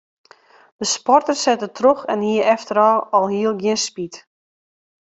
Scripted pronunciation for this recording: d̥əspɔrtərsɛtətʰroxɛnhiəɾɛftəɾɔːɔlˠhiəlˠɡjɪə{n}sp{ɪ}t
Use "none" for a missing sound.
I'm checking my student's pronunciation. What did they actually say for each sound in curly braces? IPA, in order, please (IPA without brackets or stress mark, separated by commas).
n, i